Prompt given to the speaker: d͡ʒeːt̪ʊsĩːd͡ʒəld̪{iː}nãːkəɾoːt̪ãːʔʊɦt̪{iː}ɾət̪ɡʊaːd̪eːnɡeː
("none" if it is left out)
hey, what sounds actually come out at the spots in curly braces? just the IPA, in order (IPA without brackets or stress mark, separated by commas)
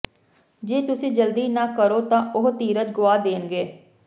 iː, iː